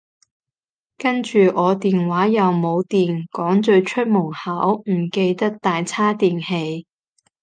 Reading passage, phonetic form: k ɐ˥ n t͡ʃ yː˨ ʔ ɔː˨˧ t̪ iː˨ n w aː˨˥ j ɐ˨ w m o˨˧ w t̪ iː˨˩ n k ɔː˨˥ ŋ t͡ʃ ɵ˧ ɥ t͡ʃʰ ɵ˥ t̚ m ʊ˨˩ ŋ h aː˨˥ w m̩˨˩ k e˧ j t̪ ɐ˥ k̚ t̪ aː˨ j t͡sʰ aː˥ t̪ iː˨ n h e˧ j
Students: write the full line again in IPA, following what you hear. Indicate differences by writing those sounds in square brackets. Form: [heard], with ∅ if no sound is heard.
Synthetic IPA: k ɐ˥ n t͡ʃ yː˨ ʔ ɔː˨˧ t̪ iː˨ n w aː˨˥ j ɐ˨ w m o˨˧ w t̪ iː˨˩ n k ɔː˨˥ ŋ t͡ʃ ɵ˧ ɥ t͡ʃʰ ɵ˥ t̚ m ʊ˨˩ ŋ h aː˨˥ w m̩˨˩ k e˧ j t̪ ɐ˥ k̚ t̪ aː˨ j t͡sʰ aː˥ t̪ iː˨ n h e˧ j

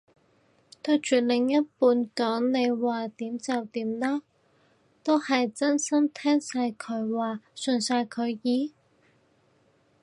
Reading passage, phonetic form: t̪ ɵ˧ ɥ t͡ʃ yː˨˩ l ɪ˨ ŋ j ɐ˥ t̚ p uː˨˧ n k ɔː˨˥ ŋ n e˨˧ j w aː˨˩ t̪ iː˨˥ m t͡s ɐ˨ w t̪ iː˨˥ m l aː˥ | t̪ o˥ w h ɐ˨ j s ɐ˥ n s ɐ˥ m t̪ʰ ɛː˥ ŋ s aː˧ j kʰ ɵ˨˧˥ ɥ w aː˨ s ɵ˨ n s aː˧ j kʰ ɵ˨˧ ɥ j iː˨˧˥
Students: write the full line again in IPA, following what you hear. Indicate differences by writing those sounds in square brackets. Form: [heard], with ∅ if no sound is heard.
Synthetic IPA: t̪ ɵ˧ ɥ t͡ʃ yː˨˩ l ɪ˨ ŋ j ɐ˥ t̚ p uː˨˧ n k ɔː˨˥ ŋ n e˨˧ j w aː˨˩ t̪ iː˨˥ m t͡s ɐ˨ w t̪ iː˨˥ m l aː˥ | t̪ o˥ w h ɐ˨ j [t͡s] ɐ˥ n s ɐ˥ m t̪ʰ ɛː˥ ŋ s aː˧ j kʰ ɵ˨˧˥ ɥ w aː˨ s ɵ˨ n s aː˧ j kʰ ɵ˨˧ ɥ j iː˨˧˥

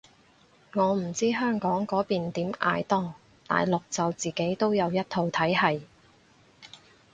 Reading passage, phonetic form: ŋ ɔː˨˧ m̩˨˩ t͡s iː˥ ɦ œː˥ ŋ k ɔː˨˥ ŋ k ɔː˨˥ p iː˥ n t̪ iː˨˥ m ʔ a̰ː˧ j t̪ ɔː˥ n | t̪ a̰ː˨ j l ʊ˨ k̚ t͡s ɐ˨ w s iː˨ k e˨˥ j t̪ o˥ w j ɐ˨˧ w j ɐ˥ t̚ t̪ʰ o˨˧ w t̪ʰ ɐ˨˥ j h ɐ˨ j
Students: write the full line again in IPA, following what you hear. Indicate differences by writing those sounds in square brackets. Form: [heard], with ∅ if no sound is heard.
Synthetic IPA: ŋ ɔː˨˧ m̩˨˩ t͡s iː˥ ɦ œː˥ ŋ k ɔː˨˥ ŋ k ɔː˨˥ p [iː˨] n t̪ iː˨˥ m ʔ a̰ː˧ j t̪ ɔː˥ [ŋ] | t̪ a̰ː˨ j l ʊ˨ k̚ t͡s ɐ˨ w [t͡s] iː˨ k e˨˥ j t̪ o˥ w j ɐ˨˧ w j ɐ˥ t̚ t̪ʰ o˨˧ w t̪ʰ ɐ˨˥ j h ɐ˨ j

